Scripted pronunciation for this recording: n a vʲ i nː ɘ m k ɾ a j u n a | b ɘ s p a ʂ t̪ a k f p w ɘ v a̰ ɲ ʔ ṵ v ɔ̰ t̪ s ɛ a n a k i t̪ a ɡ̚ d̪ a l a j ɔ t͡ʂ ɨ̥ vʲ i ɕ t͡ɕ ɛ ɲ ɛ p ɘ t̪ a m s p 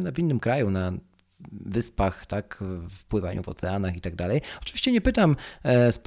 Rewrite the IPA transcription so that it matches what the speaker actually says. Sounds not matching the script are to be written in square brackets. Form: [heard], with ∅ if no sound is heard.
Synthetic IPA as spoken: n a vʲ i nː ɘ m k ɾ a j u n a | [v] ɘ s p a [x] t̪ a k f p w ɘ v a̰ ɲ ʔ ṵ v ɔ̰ t̪ s ɛ a n a [x] i t̪ a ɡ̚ d̪ a l [ɛ] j ɔ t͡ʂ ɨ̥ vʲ i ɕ t͡ɕ ɛ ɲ ɛ p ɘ t̪ a m s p